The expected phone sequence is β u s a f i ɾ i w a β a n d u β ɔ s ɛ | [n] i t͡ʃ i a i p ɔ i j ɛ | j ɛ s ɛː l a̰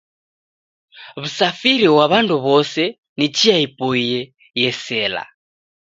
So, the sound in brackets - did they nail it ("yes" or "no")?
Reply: yes